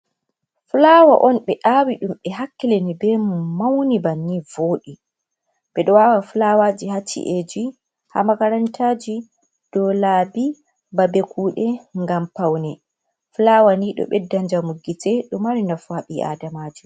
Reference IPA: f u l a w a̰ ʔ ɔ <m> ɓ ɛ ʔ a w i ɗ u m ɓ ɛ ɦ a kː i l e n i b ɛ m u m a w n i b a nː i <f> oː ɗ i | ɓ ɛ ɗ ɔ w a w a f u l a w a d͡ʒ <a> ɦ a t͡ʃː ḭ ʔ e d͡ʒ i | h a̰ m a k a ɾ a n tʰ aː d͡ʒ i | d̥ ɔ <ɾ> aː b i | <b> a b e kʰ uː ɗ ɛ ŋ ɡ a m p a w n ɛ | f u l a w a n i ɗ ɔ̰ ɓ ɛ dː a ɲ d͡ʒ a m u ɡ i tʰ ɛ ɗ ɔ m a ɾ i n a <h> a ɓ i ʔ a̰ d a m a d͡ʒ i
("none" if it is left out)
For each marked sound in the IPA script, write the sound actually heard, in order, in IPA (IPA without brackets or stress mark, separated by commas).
n, v, i, l, b, f